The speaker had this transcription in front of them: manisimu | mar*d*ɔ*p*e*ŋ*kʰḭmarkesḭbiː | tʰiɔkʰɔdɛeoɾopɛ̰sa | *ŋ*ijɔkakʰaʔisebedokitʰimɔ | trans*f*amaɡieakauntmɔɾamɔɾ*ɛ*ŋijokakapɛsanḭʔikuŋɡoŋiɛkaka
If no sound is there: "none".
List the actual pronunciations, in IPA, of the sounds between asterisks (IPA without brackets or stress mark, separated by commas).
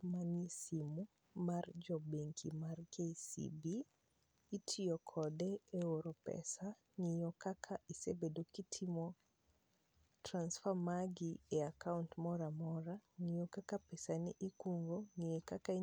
d͡ʒ, b, ŋ, ŋ, f, a